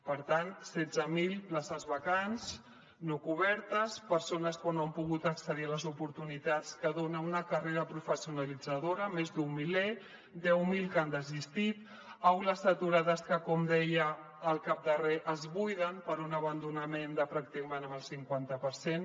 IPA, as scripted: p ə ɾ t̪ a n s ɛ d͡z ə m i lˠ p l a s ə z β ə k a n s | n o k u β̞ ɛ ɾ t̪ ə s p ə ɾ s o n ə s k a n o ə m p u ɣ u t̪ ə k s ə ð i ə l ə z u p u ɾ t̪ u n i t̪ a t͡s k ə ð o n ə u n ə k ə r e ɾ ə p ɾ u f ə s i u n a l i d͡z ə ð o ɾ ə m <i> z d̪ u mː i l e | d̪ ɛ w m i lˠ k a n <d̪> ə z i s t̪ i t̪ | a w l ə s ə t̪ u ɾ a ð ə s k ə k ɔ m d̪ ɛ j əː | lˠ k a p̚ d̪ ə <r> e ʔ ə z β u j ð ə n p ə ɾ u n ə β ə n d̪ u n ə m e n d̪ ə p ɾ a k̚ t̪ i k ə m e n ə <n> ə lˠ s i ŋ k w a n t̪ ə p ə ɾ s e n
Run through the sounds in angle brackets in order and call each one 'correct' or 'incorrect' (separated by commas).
incorrect, correct, correct, incorrect